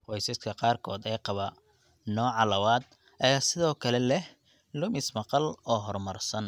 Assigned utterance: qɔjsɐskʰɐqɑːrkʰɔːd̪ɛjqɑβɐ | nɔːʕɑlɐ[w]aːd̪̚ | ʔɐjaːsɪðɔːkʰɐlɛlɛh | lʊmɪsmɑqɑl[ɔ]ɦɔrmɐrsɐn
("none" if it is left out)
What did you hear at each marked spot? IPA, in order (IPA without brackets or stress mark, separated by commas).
w, ɔː